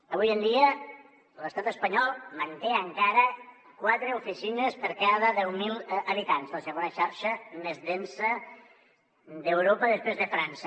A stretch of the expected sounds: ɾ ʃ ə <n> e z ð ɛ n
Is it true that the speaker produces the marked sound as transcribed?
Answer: no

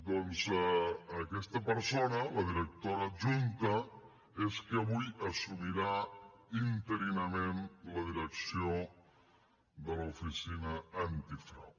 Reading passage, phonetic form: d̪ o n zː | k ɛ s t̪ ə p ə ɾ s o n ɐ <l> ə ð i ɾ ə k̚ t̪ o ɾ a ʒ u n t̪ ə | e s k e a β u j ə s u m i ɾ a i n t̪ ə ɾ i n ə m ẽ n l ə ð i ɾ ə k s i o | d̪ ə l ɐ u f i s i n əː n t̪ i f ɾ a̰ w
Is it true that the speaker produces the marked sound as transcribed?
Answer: yes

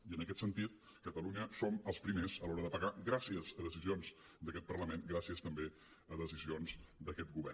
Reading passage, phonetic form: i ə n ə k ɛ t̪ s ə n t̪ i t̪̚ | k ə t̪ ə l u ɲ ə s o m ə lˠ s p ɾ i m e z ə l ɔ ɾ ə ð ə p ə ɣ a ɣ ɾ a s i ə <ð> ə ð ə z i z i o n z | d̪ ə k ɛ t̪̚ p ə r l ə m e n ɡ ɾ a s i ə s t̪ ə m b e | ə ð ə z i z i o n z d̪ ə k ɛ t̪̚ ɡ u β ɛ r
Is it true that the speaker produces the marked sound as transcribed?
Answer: no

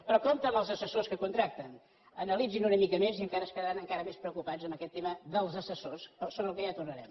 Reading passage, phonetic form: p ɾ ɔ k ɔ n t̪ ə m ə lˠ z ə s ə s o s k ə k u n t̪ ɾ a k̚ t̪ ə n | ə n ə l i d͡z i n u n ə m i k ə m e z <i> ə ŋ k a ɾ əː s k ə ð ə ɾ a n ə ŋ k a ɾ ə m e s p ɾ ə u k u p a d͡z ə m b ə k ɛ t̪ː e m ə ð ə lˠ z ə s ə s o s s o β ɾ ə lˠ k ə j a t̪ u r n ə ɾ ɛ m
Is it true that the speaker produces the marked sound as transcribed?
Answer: yes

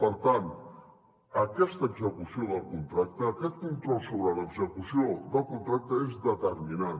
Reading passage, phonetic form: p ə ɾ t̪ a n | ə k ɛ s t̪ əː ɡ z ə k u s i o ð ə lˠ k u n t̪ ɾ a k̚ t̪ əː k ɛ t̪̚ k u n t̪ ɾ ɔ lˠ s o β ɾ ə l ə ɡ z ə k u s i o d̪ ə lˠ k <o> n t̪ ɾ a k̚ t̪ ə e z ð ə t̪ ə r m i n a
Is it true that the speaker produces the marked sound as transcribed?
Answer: no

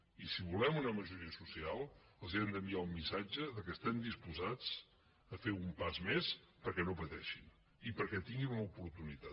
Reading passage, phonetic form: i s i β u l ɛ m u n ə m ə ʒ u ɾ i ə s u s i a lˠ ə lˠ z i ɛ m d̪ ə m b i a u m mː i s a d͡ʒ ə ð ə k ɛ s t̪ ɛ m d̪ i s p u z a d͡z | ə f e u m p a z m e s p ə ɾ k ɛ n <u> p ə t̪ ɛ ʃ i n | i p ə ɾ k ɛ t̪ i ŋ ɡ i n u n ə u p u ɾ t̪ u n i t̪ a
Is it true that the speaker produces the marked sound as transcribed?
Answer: no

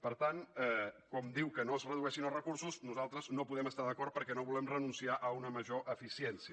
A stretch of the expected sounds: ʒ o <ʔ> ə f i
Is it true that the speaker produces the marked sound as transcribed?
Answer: yes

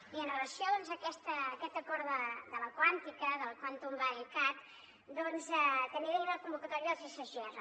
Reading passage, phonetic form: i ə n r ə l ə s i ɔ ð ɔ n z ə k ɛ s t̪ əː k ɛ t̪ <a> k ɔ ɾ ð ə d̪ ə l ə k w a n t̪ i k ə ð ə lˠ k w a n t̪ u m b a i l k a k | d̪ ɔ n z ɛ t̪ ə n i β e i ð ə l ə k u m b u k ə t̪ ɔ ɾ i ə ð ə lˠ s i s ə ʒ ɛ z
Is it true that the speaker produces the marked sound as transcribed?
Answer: no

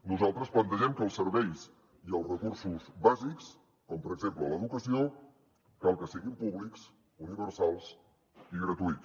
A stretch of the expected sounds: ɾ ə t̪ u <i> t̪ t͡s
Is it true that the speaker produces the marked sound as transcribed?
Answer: yes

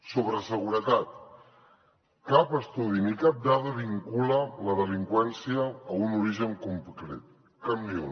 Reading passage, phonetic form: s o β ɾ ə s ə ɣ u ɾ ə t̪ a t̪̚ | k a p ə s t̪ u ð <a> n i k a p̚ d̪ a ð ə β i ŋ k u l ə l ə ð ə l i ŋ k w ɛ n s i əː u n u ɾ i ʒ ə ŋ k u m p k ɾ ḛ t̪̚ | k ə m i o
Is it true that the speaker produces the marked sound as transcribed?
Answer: no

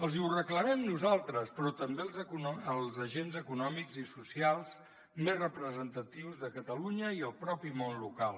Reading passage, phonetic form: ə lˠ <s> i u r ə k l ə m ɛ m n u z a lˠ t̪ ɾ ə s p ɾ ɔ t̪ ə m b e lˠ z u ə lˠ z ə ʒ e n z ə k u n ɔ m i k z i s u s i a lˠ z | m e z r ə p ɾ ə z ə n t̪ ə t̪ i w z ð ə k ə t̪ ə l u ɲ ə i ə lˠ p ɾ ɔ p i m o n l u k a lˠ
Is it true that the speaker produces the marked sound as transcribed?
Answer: no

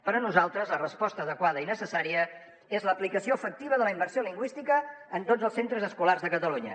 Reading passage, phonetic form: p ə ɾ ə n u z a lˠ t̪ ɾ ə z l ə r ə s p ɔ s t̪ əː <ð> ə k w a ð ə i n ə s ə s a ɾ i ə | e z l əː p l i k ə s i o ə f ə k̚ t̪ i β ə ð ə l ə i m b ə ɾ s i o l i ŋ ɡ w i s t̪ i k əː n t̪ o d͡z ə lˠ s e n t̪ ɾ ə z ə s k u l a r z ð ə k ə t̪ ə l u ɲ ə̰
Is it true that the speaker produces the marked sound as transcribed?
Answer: yes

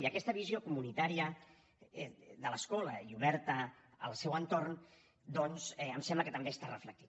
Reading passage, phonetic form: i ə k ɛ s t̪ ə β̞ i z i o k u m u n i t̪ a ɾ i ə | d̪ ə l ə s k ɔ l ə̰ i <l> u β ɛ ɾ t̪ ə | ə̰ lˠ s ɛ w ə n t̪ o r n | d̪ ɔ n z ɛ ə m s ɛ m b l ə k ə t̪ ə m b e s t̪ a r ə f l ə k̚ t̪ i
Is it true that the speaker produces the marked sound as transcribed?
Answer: no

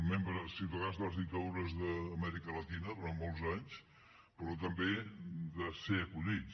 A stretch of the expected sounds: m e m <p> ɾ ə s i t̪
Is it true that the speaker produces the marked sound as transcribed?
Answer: no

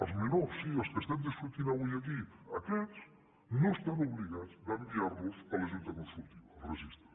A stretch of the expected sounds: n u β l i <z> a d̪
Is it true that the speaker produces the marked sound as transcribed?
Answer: no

